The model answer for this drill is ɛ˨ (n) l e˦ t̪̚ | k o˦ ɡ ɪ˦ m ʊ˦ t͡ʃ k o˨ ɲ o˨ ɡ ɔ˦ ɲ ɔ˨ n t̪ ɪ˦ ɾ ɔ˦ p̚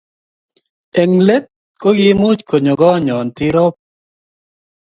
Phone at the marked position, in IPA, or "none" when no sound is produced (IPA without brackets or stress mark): ŋ